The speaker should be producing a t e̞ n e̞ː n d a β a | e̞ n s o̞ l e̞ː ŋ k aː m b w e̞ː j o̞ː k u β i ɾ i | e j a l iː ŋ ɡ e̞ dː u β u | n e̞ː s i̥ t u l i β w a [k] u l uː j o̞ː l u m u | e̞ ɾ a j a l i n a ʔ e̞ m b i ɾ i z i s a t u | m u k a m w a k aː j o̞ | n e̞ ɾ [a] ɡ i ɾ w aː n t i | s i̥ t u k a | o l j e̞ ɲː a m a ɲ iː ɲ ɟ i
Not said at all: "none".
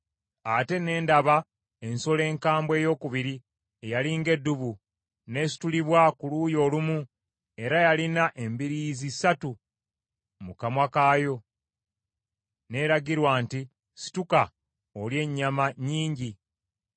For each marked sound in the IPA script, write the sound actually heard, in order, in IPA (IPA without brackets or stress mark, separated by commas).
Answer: k, a